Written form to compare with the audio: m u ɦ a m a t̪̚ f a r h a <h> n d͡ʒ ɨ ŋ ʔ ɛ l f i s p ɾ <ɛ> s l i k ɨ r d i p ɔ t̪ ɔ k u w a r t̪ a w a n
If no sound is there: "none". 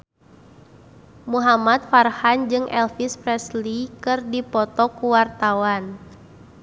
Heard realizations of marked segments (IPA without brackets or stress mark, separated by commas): none, ɛ